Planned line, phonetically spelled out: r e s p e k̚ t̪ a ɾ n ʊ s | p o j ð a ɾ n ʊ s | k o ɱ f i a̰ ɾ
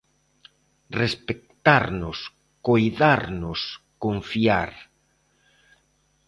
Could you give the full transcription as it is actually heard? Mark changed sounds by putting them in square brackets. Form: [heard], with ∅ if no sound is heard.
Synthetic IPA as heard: r e s p e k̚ t̪ a ɾ n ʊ s | [k] o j ð a ɾ n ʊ s | k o ɱ f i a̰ ɾ